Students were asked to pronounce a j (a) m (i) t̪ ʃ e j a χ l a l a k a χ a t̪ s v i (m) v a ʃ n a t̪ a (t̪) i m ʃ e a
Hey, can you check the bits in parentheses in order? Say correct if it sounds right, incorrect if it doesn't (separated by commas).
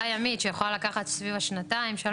correct, correct, incorrect, incorrect